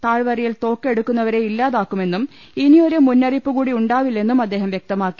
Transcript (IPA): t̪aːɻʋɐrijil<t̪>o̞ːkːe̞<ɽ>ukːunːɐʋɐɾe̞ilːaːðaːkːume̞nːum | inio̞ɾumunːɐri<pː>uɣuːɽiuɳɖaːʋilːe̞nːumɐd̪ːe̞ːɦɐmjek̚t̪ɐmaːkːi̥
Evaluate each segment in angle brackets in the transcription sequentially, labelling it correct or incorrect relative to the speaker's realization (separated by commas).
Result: correct, correct, correct